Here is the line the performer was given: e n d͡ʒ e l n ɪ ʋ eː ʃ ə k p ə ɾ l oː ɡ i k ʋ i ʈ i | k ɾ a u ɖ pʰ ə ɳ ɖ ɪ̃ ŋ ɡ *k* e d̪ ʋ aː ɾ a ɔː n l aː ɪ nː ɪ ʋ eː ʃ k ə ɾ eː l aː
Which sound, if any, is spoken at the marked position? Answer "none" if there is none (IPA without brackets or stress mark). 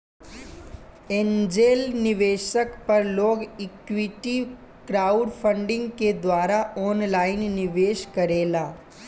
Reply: k